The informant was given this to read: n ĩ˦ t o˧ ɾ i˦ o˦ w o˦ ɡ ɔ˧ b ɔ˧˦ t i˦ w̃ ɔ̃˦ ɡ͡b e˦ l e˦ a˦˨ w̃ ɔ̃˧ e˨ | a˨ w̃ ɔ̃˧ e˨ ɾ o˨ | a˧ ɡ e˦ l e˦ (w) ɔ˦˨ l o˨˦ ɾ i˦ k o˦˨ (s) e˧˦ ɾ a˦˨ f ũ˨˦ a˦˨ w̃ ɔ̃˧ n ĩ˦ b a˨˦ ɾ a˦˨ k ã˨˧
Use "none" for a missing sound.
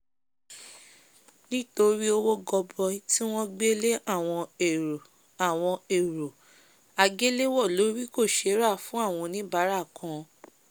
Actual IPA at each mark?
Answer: w, ʃ

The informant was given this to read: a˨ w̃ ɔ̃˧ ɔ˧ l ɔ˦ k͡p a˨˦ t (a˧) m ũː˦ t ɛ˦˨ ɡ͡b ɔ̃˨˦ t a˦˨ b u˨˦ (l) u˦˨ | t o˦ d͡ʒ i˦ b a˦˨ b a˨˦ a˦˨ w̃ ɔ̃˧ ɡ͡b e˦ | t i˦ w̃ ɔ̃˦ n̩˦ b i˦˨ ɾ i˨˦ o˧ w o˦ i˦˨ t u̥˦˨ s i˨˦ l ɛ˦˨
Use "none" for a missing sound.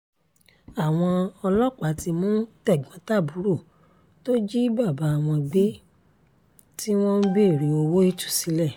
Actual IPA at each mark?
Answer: i˧, ɾ

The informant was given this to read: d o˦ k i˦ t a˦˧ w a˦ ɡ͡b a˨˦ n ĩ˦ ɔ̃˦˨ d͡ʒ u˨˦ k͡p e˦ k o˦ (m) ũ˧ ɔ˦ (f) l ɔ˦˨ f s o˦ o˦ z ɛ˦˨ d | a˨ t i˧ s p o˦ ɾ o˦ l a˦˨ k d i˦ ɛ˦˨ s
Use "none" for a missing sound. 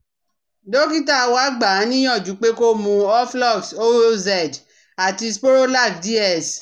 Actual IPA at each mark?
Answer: m, f

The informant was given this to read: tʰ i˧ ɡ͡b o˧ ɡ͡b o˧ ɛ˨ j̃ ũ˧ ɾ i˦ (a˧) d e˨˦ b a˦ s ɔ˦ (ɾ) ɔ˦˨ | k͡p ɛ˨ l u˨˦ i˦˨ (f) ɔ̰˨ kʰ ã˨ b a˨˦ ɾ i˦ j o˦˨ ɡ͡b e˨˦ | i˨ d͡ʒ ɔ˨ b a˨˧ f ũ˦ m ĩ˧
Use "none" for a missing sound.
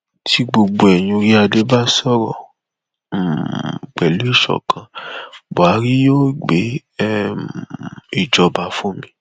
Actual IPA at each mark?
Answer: a˧, ɾ, ʃ

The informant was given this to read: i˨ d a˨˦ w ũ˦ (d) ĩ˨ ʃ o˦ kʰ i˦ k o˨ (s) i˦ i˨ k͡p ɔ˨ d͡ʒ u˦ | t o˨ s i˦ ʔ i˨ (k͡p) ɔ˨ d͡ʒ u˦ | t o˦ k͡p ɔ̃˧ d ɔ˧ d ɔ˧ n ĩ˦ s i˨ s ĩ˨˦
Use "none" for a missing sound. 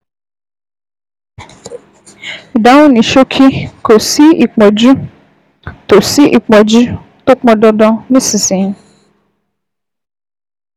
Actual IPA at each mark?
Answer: n, s, k͡p

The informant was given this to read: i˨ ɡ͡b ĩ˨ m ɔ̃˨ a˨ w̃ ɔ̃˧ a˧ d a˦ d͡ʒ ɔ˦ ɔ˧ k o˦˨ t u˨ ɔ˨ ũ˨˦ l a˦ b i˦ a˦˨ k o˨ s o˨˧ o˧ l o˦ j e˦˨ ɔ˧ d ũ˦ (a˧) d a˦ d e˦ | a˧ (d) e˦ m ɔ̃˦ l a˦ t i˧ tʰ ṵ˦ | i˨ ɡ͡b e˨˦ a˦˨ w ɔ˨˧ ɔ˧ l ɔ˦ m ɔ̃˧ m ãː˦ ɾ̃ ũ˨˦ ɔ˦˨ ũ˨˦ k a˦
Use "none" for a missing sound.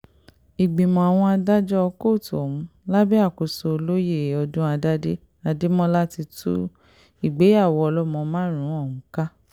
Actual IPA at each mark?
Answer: a˧, d

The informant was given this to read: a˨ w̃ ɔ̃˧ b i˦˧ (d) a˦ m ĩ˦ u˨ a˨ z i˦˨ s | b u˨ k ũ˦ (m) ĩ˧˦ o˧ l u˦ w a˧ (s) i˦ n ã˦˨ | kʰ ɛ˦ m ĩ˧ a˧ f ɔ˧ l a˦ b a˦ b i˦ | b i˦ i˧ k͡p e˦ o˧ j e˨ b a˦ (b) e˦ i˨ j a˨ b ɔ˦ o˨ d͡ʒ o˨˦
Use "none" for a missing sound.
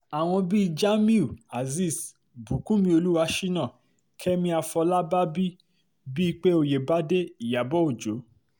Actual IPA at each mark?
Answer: d͡ʒ, m, ʃ, d

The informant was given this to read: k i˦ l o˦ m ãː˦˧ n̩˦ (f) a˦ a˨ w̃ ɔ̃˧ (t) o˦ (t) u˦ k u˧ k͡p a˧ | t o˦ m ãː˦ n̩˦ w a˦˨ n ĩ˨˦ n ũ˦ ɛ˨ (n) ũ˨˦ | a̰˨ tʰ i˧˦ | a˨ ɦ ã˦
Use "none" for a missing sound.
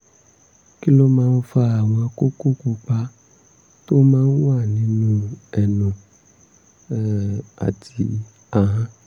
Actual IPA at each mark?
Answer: f, k, k, n

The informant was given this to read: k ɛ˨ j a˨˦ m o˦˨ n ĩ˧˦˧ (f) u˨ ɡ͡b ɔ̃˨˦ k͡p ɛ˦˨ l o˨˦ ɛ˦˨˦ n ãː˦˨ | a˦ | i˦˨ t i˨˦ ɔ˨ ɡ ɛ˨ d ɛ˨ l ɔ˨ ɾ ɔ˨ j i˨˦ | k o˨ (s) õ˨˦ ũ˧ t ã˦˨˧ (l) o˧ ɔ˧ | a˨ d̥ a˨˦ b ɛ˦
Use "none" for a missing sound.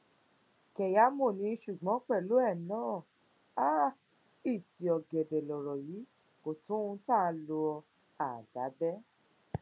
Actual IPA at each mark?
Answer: ʃ, t, l

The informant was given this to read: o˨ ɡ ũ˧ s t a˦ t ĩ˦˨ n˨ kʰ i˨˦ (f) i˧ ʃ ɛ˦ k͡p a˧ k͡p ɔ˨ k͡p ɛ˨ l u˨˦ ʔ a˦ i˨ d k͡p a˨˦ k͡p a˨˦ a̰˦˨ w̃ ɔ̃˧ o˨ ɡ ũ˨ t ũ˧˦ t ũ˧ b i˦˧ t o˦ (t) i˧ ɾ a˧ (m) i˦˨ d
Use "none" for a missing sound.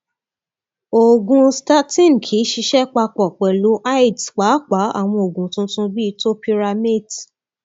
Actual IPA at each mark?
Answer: ʃ, p, m

